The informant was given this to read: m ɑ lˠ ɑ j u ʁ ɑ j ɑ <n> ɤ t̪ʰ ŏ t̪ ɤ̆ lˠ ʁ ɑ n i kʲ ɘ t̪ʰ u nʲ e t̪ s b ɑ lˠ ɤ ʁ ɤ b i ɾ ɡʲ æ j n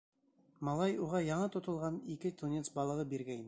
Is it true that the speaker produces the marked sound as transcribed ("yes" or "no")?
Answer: no